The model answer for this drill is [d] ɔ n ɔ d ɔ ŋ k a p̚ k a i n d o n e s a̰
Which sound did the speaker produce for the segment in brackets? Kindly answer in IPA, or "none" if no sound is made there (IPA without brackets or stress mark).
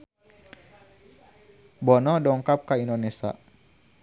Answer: b